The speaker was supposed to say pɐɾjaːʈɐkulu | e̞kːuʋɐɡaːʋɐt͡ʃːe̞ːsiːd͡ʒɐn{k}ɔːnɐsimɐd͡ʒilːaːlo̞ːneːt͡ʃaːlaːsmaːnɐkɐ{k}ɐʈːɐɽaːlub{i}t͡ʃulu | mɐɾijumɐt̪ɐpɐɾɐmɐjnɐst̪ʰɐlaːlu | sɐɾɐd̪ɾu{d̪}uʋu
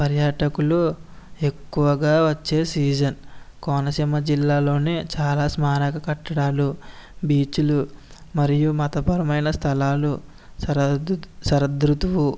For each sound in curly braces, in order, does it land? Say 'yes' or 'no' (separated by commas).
yes, yes, no, no